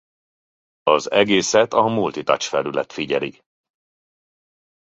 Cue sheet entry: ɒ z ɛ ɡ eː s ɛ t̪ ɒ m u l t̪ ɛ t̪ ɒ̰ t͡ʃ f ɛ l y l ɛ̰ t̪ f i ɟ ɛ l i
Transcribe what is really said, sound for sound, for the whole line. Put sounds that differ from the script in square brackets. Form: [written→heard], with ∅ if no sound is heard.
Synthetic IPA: ɒ z ɛ ɡ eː s ɛ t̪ ɒ m u l t̪ [ɛ→i] t̪ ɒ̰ t͡ʃ f ɛ l y l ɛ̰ t̪ f i ɟ ɛ l i